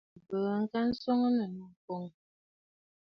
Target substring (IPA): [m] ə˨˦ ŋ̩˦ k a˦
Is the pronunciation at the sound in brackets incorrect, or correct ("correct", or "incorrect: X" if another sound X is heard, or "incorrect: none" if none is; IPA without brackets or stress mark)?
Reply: incorrect: b